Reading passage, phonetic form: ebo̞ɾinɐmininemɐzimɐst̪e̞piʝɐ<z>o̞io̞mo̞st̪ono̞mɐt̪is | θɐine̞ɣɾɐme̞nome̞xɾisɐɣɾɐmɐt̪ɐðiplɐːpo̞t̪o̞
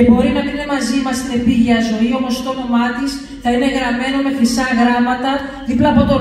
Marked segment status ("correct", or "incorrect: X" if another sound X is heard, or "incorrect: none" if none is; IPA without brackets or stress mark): correct